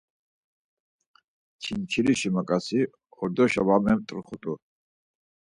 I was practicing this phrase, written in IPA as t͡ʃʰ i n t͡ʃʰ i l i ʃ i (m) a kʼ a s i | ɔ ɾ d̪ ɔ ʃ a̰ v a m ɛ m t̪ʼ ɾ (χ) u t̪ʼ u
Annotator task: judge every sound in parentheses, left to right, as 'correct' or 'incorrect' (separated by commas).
correct, correct